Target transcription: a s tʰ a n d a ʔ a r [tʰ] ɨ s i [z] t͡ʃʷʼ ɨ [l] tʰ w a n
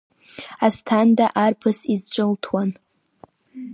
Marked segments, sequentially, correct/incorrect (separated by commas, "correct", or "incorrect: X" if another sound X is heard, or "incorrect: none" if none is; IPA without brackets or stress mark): incorrect: pʰ, correct, correct